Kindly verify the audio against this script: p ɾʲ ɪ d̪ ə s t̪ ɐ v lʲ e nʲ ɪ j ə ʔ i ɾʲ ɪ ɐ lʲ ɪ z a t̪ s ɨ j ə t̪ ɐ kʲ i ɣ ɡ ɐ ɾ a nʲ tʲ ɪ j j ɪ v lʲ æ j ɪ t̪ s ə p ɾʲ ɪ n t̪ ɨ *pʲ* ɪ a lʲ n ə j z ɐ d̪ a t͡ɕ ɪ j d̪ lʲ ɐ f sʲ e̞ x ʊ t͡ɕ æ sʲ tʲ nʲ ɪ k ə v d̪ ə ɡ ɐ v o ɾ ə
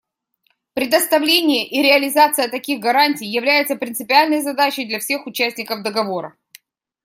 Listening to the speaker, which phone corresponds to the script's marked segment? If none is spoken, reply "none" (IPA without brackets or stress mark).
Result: pʲ